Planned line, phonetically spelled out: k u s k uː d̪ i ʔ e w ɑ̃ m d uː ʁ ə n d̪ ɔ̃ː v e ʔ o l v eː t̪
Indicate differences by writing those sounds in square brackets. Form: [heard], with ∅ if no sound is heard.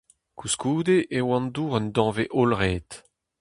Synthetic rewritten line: k u s k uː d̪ [e] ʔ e w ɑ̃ [n] d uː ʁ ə n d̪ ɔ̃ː v e ʔ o l [ʁ] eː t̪